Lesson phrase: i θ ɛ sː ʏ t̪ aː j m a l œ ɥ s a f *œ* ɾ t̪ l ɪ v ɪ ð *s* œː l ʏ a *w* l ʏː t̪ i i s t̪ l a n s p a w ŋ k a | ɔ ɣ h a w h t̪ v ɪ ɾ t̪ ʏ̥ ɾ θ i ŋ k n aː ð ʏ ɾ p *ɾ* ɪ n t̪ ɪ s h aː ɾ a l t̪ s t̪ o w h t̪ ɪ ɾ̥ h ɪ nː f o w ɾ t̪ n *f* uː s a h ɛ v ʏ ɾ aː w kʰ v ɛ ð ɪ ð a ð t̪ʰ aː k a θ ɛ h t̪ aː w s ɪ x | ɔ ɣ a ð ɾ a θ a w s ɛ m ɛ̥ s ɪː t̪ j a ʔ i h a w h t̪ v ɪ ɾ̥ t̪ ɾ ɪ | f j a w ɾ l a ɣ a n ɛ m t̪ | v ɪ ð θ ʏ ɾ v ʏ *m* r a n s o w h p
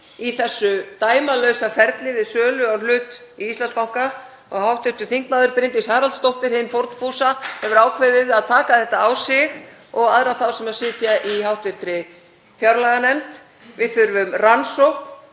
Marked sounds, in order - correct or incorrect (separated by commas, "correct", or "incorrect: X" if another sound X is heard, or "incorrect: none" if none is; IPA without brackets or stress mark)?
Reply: incorrect: ɛ, correct, correct, correct, correct, correct